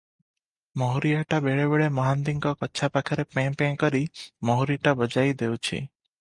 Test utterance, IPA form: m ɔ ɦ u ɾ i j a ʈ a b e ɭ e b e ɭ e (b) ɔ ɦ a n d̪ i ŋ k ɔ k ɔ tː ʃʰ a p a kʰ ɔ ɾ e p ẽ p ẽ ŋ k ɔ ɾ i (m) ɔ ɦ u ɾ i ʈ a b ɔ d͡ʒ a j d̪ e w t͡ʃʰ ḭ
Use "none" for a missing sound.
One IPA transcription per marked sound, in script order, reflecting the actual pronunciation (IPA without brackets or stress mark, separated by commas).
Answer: m, m